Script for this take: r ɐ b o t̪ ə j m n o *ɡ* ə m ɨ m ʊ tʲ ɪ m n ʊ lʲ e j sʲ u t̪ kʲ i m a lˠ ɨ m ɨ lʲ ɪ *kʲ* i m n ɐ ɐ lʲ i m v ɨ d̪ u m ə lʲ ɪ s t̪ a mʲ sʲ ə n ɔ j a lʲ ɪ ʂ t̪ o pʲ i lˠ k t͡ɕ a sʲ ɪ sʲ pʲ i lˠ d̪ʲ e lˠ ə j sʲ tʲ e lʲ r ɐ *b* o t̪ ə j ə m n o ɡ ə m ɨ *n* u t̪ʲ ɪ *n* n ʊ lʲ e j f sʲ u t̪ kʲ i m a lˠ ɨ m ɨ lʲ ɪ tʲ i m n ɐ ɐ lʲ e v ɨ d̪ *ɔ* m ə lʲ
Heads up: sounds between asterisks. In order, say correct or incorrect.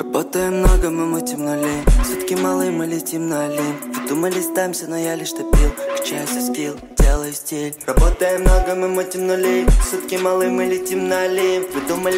correct, incorrect: tʲ, correct, incorrect: m, incorrect: m, incorrect: u

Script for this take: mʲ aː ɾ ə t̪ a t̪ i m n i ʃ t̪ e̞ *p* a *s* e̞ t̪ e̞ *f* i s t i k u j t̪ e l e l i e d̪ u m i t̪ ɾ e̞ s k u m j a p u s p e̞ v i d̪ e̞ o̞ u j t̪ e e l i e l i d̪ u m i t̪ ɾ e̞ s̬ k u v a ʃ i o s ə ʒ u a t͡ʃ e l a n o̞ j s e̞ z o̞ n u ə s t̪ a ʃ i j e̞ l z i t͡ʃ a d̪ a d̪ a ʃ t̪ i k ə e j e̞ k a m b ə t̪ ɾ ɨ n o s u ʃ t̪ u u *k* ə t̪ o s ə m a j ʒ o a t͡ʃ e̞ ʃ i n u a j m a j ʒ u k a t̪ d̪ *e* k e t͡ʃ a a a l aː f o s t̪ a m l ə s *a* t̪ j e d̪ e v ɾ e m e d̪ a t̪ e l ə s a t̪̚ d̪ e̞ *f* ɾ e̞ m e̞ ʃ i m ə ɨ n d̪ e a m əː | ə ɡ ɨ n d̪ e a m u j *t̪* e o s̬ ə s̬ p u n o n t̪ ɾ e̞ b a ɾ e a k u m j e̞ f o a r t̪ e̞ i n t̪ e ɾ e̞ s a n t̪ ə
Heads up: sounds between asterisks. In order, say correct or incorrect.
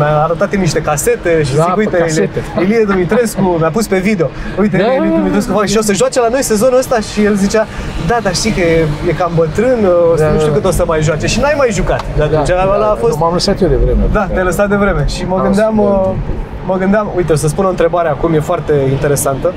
incorrect: k, correct, incorrect: ʃ, correct, incorrect: a, correct, incorrect: v, correct

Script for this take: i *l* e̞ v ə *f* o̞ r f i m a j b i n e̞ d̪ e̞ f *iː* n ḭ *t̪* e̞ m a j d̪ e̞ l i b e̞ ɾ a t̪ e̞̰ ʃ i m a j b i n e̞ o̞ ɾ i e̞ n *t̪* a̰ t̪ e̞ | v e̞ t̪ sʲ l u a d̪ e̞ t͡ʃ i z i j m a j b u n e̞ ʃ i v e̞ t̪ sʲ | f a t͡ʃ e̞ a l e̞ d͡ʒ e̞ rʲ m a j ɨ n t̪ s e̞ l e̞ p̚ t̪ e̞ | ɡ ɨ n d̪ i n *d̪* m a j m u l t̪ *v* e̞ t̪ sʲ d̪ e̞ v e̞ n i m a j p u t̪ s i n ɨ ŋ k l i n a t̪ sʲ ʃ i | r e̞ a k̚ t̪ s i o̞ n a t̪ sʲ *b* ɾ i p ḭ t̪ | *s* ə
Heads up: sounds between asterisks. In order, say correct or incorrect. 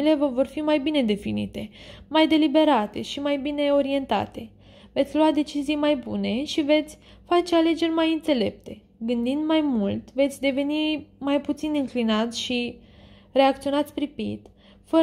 correct, incorrect: v, incorrect: i, correct, correct, correct, correct, incorrect: p, incorrect: f

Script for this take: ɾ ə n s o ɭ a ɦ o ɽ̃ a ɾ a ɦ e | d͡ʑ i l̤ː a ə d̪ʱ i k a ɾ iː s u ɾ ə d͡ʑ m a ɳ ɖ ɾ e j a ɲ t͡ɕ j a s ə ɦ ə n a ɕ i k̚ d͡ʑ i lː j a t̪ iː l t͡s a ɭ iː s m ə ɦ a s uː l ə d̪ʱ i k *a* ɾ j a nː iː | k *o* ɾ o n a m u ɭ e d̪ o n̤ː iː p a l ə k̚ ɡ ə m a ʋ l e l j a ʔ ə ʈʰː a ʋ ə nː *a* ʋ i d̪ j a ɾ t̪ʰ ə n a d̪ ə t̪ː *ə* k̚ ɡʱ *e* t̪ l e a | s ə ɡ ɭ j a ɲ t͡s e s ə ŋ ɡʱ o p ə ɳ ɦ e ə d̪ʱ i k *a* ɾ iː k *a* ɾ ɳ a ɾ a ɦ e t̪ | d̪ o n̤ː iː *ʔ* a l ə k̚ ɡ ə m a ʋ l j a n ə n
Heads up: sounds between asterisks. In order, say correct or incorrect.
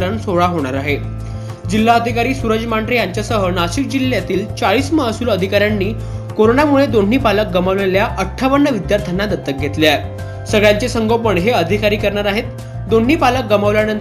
correct, correct, incorrect: ə, correct, correct, correct, incorrect: ə, incorrect: p

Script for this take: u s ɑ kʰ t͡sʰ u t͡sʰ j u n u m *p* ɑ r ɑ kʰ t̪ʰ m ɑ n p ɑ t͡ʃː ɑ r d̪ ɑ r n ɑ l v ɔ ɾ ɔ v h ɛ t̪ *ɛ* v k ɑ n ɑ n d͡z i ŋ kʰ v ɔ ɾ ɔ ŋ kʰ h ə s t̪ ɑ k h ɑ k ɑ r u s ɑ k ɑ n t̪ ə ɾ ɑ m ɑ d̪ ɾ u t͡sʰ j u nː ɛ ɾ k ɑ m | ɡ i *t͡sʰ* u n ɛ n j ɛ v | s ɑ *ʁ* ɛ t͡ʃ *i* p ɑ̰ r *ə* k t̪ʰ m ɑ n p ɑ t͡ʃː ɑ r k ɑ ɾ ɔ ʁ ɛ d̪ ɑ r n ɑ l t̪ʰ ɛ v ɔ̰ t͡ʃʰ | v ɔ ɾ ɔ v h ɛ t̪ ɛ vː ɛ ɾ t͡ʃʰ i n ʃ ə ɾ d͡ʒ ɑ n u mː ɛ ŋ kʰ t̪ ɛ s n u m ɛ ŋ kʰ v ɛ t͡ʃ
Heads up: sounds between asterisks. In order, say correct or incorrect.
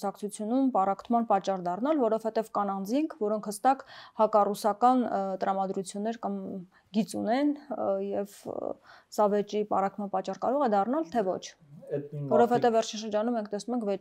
correct, correct, incorrect: t͡s, incorrect: v, correct, incorrect: ɑ

